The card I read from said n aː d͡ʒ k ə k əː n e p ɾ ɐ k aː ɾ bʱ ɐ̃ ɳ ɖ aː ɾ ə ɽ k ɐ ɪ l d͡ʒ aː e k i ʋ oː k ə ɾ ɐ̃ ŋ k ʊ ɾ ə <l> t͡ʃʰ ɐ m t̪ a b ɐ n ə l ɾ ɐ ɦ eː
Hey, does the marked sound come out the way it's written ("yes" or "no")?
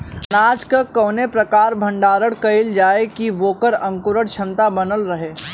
no